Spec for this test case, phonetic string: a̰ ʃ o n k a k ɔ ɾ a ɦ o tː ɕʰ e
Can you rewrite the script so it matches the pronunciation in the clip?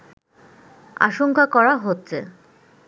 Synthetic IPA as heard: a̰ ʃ o ŋ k a k ɔ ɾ a ɦ o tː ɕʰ e